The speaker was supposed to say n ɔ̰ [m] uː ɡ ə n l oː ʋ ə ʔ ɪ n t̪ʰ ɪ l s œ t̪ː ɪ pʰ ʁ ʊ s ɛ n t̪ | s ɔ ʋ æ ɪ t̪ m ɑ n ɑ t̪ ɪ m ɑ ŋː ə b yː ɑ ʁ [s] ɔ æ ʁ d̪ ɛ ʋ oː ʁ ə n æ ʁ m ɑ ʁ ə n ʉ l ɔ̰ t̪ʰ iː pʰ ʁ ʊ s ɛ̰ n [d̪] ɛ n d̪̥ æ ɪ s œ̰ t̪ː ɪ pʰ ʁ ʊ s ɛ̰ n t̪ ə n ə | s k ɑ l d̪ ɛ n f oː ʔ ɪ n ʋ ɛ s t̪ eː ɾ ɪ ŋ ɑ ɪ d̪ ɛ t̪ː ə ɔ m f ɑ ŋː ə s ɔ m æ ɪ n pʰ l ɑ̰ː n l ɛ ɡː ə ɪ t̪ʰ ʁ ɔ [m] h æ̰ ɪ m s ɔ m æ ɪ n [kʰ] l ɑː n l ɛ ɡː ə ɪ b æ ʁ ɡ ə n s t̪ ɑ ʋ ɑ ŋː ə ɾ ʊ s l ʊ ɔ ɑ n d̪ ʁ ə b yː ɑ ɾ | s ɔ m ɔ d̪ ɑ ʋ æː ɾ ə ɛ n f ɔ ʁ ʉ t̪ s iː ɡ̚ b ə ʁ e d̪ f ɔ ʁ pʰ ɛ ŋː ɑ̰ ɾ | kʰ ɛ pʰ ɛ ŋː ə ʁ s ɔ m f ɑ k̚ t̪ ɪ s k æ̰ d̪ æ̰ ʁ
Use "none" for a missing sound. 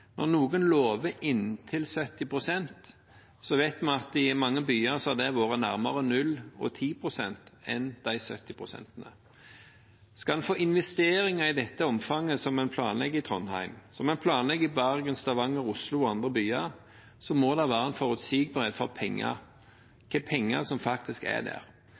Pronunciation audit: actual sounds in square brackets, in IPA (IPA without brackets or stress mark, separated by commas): n, s, t̪, n, pʰ